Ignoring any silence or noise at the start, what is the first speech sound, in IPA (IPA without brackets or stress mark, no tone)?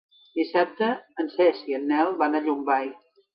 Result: d̪